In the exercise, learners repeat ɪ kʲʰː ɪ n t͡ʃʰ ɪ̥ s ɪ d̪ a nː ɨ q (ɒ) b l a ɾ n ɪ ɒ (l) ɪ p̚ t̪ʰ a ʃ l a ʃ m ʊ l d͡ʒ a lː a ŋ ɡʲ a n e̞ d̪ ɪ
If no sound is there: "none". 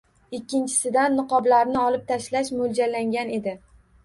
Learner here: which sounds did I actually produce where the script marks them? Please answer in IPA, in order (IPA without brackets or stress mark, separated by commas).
ɒ, l